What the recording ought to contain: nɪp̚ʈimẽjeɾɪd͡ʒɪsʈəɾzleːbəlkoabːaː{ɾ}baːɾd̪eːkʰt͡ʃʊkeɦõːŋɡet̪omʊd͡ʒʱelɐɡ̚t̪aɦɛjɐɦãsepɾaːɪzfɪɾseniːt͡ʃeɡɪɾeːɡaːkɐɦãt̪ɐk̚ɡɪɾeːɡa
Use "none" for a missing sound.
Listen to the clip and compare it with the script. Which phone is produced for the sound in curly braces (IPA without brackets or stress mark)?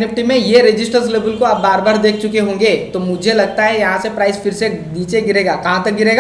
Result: ɾ